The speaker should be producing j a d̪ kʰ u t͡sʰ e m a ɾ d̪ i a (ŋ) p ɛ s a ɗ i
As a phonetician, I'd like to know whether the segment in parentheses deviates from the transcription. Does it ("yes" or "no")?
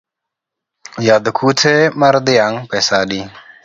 no